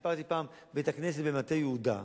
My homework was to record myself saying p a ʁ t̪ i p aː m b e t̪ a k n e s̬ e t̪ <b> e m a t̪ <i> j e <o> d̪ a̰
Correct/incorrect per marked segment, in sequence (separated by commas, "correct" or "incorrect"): correct, incorrect, incorrect